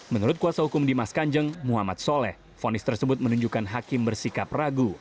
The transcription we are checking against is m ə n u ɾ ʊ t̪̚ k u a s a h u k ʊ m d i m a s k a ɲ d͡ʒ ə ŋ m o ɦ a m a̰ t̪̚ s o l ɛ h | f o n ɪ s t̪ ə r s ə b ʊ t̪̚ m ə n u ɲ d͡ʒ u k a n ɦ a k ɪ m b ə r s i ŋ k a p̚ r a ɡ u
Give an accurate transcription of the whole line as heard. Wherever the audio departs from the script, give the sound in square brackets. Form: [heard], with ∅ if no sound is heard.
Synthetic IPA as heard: m ə n u ɾ ʊ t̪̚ k u a s a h u k ʊ m d i m a s k a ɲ d͡ʒ ə ŋ m [u] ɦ a m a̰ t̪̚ s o l ɛ h | f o n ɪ s t̪ ə r s ə b ʊ t̪̚ m ə n u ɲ d͡ʒ u k a n ɦ a k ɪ m b ə r s i [∅] k a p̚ r a ɡ u